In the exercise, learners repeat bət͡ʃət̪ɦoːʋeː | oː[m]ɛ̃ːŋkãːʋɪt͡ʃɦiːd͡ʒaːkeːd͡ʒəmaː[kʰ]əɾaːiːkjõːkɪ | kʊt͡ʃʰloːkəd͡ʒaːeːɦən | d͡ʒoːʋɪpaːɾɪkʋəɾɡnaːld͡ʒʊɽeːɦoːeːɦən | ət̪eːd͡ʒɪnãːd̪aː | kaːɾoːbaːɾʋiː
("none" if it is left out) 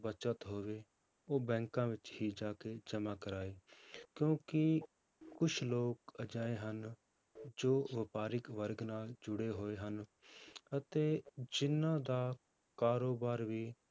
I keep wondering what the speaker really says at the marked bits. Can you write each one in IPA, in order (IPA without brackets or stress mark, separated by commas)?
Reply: b, k